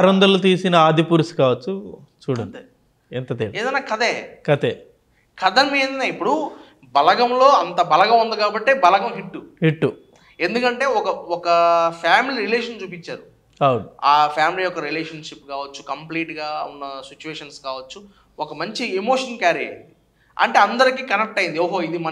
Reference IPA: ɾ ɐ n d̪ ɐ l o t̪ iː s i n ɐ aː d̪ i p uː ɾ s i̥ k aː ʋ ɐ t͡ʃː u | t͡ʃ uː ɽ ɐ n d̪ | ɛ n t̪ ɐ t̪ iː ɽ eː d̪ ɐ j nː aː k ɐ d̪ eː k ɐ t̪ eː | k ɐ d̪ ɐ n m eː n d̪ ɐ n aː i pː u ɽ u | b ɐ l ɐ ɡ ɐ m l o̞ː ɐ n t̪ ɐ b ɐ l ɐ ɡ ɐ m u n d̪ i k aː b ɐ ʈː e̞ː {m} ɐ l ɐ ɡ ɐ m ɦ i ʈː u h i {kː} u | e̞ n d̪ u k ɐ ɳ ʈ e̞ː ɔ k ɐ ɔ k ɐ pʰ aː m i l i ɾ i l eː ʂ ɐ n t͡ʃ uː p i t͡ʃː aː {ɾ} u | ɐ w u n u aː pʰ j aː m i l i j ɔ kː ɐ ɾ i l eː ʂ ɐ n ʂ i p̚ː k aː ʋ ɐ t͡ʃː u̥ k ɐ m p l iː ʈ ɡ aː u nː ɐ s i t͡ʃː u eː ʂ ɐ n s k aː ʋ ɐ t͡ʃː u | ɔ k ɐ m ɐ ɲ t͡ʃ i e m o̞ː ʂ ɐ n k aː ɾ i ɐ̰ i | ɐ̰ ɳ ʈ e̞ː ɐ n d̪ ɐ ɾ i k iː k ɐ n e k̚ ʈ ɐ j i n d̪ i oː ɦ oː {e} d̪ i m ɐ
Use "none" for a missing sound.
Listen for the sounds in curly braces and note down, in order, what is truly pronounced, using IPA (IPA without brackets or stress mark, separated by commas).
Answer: b, ʈː, ɾ, i